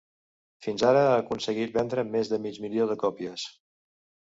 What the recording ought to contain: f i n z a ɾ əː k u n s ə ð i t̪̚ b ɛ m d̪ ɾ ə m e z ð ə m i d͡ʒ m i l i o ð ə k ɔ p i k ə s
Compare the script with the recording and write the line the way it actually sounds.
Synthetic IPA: f i n z a ɾ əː k u n s ə ɣ i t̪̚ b ɛ n d̪ ɾ ə m e z ð ə m i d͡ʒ m i l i o ð ə k ɔ p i ə s

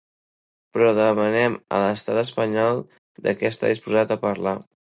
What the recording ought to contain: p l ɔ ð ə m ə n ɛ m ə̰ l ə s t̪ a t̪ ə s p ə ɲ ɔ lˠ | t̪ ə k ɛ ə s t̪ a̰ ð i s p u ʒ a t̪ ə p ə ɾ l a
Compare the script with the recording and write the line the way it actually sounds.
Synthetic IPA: p ɾ ɔ ð ə m ə n ɛ m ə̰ l ə s t̪ a t̪ ə s p ə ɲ ɔ lˠ | d̪ ə k ɛ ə s t̪ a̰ ð i s p u z a t̪ ə p ə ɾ l a

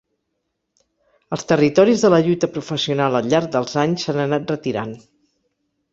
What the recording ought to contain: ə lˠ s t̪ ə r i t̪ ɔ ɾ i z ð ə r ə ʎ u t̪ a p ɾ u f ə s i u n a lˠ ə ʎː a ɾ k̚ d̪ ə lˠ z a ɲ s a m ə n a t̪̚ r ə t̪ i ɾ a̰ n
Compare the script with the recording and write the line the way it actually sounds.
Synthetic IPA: ə lˠ s t̪ ə r i t̪ ɔ ɾ i z ð ə l ə ʎ u t̪ ə p ɾ u f ə s i u n a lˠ ə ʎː a ɾ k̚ d̪ ə lˠ z a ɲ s a n ə n a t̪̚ r ə t̪ i ɾ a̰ n

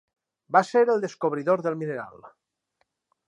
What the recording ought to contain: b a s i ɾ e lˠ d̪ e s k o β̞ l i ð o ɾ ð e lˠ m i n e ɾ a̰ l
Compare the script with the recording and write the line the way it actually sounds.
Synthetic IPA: b a s e ɾ e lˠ d̪ e s k o β̞ ɾ i ð o ɾ ð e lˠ m i n e ɾ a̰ l

